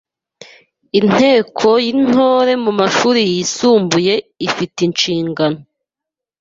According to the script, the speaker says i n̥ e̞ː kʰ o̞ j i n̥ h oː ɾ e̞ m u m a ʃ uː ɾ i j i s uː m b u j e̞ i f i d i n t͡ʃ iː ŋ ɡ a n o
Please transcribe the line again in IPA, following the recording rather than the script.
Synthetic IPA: i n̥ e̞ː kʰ o̞ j i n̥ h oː ɾ e̞ m u m a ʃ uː ɾ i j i s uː m b u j e̞ i f i t i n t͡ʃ iː ŋ ɡ a n o